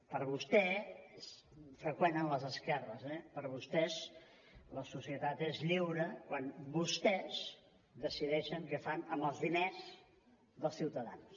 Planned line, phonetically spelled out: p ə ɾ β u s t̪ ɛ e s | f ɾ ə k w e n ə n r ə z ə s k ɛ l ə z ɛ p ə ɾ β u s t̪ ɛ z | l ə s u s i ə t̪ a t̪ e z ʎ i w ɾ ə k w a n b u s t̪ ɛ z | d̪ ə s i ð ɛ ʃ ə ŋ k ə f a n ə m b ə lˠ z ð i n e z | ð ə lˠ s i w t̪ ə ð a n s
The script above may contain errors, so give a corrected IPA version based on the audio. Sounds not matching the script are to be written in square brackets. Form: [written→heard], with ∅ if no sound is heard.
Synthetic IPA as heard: p ə ɾ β u s t̪ ɛ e s | f ɾ ə k w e n ə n [r→l] ə z ə s k ɛ [l→r] ə z ɛ p ə ɾ β u s t̪ ɛ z | l ə s u s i ə t̪ a t̪ e z ʎ i w ɾ ə k w a n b u s t̪ ɛ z | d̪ ə s i ð ɛ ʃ ə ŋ k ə f a n ə m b ə lˠ z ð i n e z | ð ə lˠ s i w t̪ ə ð a n s

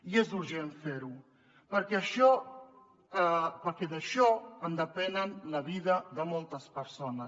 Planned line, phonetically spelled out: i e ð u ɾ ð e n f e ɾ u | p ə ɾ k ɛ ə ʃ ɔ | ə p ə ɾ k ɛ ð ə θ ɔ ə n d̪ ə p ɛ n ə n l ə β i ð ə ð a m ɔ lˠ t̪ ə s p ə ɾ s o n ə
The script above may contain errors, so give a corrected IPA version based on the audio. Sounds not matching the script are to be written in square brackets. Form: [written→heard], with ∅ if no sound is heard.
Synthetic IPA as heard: i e [ð→z] u ɾ [ð→ʒ] e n f e ɾ u | p ə ɾ k ɛ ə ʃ ɔ | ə p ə ɾ k ɛ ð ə [θ→ʃ] ɔ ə n d̪ ə p ɛ n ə n l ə β i ð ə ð [a→ə] m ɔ lˠ t̪ ə s p ə ɾ s o n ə

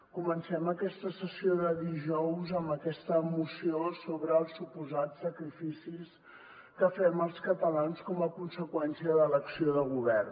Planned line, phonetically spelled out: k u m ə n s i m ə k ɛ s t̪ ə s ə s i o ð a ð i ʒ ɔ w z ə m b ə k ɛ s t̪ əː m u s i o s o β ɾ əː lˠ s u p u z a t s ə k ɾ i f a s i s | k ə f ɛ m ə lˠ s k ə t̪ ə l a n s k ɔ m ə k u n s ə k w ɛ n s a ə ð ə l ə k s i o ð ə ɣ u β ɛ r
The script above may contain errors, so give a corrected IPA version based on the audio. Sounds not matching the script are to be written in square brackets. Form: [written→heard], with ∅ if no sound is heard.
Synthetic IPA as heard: k u m ə n s [i→ɛ] m ə k ɛ s t̪ ə s ə s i o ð [a→ə] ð i ʒ ɔ w z ə m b ə k ɛ s t̪ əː m u s i o s o β ɾ əː lˠ s u p u z a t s ə k ɾ i f [a→i] s i s | k ə f ɛ m ə lˠ s k ə t̪ ə l a n s k ɔ m ə k u n s ə k w ɛ n s [a→i] ə ð ə l ə k s i o ð ə ɣ u β ɛ r

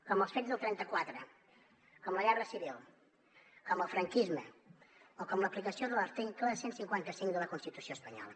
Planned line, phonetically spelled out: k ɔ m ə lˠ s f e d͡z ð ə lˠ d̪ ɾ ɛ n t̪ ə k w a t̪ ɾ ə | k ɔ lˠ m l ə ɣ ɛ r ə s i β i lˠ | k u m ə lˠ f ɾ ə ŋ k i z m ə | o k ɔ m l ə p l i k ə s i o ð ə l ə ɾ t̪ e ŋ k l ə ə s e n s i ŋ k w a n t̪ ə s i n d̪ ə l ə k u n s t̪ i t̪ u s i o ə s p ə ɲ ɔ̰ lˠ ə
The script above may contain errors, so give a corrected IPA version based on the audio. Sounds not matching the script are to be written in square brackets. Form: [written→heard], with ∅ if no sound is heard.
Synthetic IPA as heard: k ɔ m ə lˠ s f e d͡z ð ə lˠ [d̪→t̪] ɾ ɛ n t̪ ə k w a t̪ ɾ ə | k ɔ [lˠ→∅] m l ə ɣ ɛ r ə s i β i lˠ | k [u→ɔ] m ə lˠ f ɾ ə ŋ k i z m ə | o k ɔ m l ə p l i k ə s i o ð ə l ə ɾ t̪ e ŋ k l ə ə s e n s i ŋ k w a n t̪ ə s i [n→ŋ] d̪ ə l ə k u n s t̪ i t̪ u s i o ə s p ə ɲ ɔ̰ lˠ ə

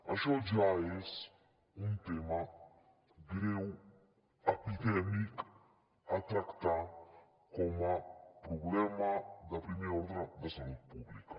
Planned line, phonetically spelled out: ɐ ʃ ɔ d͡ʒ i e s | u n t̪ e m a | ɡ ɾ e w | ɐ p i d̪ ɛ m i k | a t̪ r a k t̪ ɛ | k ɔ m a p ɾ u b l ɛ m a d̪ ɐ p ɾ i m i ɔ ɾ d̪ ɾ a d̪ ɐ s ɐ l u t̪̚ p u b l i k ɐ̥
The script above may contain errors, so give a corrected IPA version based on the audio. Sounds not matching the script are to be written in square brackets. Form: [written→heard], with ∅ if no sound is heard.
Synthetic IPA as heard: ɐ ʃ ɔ d͡ʒ [i→a] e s | u n t̪ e m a | ɡ ɾ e w | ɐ p i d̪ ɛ m i k | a t̪ [r→ɾ] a k t̪ [ɛ→a] | k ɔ m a p ɾ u b l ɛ m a d̪ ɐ p ɾ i m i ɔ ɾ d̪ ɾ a d̪ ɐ s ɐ l u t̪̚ p u b l i k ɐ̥

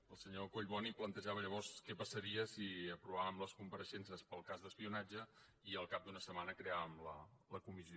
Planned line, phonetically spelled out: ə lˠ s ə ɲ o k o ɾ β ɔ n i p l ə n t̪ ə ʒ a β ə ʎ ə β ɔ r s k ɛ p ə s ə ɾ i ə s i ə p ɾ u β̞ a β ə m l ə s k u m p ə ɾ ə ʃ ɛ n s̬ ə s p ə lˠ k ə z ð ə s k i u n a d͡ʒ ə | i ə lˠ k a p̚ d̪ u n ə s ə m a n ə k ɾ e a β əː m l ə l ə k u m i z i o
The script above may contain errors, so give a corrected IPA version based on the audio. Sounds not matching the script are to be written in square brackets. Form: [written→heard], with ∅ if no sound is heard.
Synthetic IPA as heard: ə lˠ s ə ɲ o k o [ɾ→ʎ] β ɔ n i p l ə n t̪ ə ʒ a β ə ʎ ə β ɔ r s k ɛ p ə s ə ɾ i ə s i ə p ɾ u β̞ a β ə m l ə s k u m p ə ɾ ə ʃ ɛ n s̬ ə s p ə lˠ k [ə→a] z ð ə s [k→p] i u n a d͡ʒ ə | i ə lˠ k a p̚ d̪ u n ə s ə m a n ə k ɾ e a β [əː→ə] m l ə l ə k u m i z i o

